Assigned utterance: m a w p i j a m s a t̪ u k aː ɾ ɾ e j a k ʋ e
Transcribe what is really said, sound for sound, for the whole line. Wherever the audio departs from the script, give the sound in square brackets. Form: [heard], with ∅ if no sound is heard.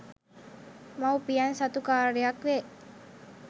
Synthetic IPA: m a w p i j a [n] s a t̪ u k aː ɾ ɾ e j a k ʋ e